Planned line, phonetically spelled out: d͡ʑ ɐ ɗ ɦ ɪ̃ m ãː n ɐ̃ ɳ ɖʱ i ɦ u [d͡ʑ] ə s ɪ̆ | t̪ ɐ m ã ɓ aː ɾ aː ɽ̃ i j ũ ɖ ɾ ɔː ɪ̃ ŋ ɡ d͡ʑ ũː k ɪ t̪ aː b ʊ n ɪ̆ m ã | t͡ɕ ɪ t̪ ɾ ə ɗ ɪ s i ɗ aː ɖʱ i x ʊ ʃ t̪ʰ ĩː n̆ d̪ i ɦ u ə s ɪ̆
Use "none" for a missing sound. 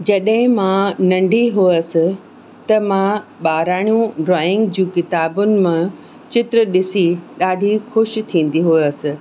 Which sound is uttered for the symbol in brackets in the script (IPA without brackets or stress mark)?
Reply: none